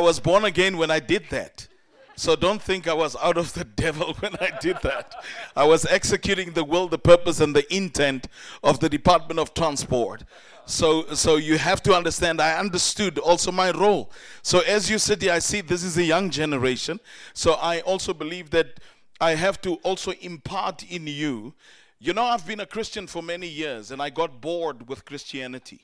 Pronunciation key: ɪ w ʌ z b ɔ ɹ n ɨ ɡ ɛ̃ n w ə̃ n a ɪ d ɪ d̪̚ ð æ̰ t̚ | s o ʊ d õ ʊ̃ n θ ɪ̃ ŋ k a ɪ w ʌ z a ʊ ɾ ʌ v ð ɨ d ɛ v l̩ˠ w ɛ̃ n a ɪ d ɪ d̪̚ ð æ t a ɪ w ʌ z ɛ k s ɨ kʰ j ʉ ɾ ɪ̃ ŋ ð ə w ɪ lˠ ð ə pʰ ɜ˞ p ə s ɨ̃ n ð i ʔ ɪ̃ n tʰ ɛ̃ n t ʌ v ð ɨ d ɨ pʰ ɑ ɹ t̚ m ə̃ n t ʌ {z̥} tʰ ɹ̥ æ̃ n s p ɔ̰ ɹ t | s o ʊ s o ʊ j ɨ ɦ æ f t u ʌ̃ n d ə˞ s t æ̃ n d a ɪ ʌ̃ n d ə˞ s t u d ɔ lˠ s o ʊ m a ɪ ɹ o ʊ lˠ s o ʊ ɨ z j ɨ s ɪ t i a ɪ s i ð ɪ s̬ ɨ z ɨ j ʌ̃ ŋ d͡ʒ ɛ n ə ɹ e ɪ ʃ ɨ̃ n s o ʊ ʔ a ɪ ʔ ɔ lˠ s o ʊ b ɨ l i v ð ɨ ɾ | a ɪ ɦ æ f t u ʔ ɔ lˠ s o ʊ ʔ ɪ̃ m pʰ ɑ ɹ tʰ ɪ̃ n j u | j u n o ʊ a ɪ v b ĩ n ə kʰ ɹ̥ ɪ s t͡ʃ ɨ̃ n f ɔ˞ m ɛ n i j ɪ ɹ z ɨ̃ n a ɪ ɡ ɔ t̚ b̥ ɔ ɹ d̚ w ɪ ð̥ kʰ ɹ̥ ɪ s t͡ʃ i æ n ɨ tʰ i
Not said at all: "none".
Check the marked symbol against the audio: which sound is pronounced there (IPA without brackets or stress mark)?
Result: v̥